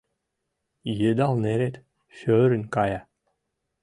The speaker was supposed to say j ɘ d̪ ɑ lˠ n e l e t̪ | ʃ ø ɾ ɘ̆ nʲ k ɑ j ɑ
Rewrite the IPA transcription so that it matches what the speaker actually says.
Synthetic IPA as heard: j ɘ d̪ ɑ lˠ n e ɾ e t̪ | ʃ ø ɾ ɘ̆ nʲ k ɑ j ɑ